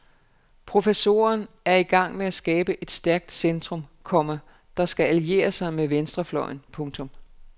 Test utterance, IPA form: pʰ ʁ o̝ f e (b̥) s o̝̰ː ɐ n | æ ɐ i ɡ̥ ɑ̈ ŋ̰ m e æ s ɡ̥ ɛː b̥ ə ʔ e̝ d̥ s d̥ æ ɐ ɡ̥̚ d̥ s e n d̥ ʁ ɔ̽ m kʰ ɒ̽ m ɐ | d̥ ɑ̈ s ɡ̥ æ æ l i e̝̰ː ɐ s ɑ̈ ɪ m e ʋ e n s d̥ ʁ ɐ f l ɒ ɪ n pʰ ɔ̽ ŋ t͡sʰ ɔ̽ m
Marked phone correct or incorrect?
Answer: incorrect